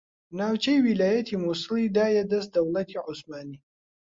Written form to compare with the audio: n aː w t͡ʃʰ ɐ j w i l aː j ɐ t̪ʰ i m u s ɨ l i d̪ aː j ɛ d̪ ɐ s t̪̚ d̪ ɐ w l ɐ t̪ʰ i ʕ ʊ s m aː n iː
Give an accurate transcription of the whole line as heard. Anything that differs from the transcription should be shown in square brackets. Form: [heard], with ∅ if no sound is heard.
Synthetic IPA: n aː w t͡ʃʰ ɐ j w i l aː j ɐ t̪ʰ i m u s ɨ l i d̪ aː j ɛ d̪ ɐ s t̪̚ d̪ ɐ w l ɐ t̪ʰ i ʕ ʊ s m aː n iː